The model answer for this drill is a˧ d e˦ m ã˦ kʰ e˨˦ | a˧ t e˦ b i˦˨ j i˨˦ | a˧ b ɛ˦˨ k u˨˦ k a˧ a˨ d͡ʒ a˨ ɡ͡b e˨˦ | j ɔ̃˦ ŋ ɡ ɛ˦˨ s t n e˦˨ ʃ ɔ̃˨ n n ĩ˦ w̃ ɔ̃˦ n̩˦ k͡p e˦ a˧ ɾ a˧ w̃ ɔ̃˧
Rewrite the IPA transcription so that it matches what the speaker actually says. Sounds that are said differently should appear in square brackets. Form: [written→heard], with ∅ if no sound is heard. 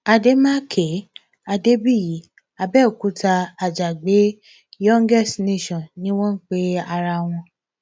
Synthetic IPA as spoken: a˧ d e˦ m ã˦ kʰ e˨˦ | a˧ [t→d] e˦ b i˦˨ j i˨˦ | a˧ b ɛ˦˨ k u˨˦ [k→t] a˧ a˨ d͡ʒ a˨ ɡ͡b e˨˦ | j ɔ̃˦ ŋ ɡ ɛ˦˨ s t n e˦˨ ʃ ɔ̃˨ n n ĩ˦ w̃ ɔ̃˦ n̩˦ k͡p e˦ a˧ ɾ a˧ w̃ ɔ̃˧